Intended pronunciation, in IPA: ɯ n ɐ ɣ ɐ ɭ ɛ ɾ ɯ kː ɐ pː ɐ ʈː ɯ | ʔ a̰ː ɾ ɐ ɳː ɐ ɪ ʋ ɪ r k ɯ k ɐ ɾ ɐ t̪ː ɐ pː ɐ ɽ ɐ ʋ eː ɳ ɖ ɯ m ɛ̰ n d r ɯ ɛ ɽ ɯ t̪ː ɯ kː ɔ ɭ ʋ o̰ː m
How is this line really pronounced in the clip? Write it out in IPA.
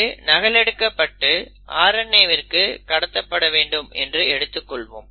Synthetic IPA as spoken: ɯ n ɐ ɣ ɐ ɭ ɛ ɽ ɯ kː ɐ pː ɐ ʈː ɯ | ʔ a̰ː ɾ ɐ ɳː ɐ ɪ ʋ ɪ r k ɯ k ɐ ɽ ɐ t̪ː ɐ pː ɐ ɽ ɐ ʋ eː ɳ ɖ ɯ m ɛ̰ n d r ɯ ɛ ɽ ɯ t̪ː ɯ kː ɔ ɭ ʋ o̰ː m